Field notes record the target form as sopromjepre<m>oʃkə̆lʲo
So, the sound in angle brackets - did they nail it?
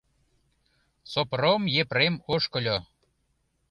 yes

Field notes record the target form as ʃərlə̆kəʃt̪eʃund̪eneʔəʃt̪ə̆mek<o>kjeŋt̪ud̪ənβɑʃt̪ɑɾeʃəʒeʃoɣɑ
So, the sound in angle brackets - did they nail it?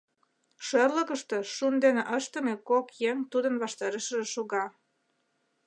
yes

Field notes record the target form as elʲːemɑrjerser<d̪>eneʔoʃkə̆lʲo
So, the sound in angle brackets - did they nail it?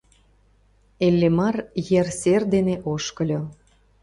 yes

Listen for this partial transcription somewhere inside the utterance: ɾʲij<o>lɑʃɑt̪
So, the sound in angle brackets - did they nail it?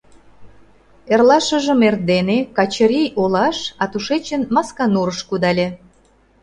yes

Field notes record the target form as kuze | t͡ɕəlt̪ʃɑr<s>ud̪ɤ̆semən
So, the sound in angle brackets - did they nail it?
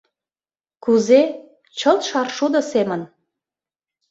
no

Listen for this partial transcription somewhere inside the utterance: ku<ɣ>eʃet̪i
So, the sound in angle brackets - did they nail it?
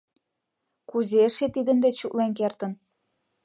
no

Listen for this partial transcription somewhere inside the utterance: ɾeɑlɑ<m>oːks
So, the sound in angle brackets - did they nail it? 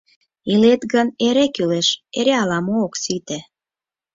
yes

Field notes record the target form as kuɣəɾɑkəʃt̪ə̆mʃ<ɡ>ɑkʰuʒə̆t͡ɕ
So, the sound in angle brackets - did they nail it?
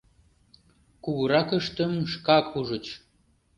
no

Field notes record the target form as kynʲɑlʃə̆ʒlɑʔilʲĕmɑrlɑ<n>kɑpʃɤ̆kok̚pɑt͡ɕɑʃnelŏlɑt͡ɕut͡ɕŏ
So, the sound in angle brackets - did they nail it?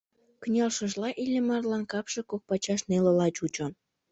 yes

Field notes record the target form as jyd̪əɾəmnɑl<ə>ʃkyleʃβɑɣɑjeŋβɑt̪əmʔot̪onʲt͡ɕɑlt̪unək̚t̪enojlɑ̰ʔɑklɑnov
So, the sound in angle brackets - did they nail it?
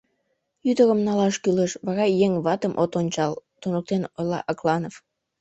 no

